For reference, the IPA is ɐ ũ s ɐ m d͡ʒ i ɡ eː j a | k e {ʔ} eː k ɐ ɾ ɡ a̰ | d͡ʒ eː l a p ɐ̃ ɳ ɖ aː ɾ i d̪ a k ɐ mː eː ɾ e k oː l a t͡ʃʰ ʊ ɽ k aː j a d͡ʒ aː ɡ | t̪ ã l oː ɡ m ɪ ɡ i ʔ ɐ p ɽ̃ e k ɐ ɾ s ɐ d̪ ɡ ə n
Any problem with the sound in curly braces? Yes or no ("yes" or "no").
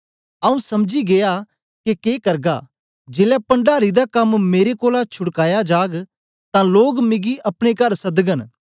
yes